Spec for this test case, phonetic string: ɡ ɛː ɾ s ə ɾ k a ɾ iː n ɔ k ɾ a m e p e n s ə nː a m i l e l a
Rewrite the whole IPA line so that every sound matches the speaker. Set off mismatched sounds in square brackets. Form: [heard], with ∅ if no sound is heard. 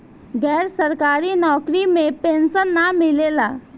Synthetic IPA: ɡ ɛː ɾ s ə ɾ k a ɾ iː n ɔ k ɾ [i] m e p e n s ə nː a m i l e l a